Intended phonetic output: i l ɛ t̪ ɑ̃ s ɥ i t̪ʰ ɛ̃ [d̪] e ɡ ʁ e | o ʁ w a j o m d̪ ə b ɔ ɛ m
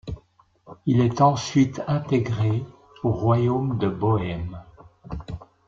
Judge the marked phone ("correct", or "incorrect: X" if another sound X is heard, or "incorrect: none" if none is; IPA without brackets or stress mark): incorrect: t̪